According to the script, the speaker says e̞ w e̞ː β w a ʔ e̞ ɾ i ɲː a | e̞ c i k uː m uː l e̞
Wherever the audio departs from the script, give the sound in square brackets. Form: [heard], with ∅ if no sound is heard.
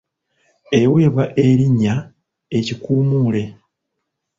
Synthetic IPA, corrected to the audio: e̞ w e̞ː β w a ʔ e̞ ɾ i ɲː a | e̞ c i k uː m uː l e̞